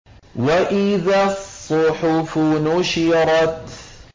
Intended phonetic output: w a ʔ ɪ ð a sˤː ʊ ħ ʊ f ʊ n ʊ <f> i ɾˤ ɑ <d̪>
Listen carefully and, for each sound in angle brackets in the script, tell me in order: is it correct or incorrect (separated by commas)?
incorrect, incorrect